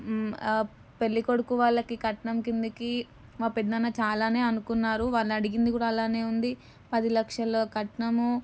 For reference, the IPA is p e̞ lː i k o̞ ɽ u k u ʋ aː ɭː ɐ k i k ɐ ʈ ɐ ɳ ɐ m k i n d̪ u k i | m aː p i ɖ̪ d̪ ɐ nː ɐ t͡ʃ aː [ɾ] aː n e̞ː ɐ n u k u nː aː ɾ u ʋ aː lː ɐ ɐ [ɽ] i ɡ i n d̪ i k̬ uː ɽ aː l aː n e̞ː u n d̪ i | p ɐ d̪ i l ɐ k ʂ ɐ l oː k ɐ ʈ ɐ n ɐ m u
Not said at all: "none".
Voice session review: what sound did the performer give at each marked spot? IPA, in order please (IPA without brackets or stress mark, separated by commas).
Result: l, ɽ